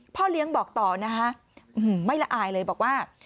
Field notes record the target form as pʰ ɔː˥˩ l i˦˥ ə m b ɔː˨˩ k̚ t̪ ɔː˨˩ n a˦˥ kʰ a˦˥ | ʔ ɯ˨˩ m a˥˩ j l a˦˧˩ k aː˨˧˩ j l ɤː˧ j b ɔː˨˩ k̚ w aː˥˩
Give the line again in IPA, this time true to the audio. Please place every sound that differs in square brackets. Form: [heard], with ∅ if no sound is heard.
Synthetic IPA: pʰ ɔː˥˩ l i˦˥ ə [ŋ] b ɔː˨˩ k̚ t̪ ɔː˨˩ n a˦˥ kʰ a˦˥ | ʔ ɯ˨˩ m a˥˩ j l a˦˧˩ [ʔ] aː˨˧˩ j l ɤː˧ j b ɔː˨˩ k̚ w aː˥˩